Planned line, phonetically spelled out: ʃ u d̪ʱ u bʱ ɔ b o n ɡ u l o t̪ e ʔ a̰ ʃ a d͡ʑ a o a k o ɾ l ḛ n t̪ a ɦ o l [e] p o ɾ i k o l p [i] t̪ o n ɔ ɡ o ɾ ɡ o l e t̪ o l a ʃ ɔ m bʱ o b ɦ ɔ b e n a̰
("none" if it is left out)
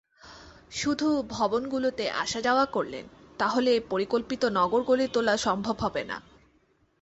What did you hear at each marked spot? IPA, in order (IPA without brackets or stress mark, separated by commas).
e, i